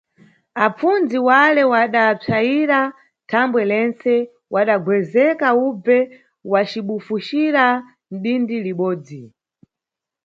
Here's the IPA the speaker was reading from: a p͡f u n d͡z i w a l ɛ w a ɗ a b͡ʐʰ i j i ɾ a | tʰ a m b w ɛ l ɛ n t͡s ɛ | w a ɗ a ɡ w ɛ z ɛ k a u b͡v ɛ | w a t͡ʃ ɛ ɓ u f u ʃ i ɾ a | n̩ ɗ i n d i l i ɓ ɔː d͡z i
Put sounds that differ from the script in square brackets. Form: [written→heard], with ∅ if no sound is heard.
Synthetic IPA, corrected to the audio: a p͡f u n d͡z i w a l ɛ w a ɗ a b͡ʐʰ [i→a] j i ɾ a | tʰ a m b w ɛ l ɛ n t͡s ɛ | w a ɗ a ɡ w ɛ z ɛ k a u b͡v ɛ | w a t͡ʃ [ɛ→i] ɓ u f u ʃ i ɾ a | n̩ ɗ i n d i l i ɓ ɔː d͡z i